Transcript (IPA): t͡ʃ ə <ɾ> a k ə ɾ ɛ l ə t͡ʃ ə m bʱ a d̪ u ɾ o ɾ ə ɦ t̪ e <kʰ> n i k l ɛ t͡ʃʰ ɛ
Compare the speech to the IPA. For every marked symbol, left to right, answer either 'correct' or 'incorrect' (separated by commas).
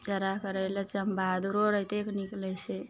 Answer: correct, incorrect